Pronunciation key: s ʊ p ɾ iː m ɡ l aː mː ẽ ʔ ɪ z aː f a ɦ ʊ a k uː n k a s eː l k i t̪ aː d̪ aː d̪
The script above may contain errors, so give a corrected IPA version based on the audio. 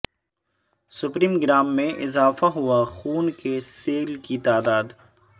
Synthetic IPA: s ʊ p ɾ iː m ɡ ɾ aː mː ẽ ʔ ɪ z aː f a ɦ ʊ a x uː n k e s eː l k i t̪ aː d̪ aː d̪